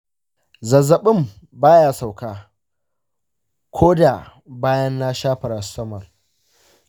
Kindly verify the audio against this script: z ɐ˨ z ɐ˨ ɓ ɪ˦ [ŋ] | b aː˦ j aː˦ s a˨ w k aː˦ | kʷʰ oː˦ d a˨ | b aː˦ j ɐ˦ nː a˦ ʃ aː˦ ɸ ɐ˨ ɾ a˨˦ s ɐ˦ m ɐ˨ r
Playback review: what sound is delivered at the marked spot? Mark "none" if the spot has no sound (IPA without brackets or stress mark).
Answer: m